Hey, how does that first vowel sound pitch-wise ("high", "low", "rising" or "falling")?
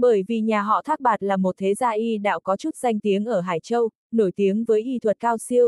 falling